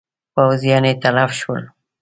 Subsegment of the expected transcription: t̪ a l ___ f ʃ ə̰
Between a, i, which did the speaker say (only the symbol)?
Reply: a